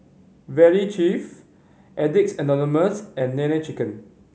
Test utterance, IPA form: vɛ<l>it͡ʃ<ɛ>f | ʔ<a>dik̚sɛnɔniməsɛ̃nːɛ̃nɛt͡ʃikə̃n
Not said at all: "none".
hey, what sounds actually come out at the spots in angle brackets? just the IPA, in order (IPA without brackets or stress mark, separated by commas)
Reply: ɹ, i, ɛ